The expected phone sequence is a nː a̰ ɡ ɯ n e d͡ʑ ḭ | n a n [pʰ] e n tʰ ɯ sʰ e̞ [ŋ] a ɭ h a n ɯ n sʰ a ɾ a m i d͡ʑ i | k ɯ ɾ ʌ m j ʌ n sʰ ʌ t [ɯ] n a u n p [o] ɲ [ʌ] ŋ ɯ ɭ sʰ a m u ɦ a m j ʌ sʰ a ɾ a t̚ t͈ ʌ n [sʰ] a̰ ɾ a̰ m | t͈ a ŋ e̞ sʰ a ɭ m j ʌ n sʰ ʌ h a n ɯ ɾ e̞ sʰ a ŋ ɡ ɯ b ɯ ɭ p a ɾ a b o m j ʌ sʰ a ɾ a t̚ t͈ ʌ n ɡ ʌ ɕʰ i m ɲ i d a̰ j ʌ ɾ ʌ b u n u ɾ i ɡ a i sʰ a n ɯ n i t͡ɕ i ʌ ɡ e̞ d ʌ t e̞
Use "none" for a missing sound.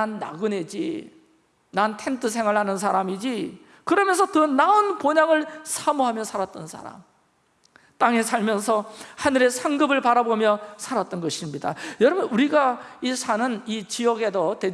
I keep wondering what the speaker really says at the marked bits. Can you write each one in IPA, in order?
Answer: tʰ, ŋ, ɯ, o, a, sʰ

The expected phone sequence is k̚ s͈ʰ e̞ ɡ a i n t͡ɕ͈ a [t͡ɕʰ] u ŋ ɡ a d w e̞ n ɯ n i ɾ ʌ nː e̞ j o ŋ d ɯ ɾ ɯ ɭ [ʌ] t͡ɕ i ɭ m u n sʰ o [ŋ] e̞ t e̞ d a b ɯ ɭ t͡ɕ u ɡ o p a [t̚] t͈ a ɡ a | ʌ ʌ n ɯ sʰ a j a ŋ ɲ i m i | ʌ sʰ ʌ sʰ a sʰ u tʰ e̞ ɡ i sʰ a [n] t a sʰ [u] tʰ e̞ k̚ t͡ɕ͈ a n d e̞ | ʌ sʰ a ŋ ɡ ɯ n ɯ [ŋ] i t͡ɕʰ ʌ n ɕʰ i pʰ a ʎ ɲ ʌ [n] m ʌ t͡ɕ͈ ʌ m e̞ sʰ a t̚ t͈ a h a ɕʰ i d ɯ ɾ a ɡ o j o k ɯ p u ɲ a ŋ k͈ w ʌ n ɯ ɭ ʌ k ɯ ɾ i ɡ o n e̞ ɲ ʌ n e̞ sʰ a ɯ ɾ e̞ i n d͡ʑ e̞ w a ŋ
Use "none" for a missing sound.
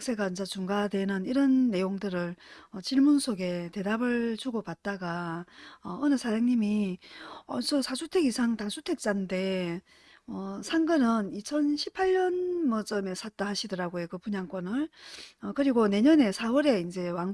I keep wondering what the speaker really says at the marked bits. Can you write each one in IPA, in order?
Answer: t͡ɕ, ʌ, ɡ, t̚, ŋ, u, n, n

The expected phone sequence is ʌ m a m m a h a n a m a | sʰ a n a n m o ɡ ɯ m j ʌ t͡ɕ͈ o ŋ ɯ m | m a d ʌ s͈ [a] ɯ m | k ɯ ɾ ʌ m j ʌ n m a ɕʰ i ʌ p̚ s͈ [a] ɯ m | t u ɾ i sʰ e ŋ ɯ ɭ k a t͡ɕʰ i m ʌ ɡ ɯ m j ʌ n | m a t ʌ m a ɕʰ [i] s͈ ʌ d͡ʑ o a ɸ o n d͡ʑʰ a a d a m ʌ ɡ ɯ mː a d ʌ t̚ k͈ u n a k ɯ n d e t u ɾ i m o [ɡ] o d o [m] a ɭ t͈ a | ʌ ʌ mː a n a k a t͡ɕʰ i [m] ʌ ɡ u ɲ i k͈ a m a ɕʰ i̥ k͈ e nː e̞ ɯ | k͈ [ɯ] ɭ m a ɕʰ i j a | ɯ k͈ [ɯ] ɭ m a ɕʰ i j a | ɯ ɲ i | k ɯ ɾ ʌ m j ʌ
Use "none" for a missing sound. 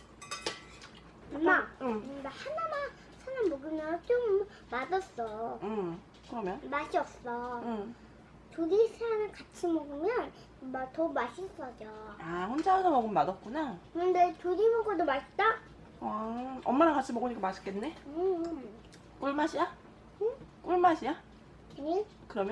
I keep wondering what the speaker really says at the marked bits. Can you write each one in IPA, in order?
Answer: ʌ, ʌ, i, ɡ, m, m, u, u

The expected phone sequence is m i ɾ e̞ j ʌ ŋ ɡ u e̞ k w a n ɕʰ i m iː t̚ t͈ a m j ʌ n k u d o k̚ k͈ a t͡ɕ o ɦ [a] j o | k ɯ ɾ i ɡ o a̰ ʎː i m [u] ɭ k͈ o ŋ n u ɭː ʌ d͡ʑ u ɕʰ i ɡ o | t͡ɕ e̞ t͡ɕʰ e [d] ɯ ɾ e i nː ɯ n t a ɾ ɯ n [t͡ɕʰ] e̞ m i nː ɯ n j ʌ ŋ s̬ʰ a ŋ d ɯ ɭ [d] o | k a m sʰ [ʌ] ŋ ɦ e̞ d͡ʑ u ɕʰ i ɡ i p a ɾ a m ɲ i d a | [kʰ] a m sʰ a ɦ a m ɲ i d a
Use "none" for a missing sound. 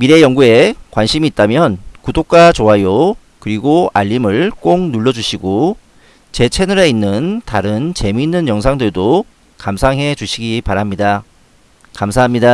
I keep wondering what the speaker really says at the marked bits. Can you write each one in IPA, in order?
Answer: a, ɯ, n, t͡ɕ, d, a, k

